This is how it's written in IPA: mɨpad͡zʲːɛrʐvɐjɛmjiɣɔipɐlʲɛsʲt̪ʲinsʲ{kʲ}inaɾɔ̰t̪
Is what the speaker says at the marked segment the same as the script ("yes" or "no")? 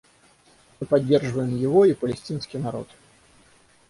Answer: yes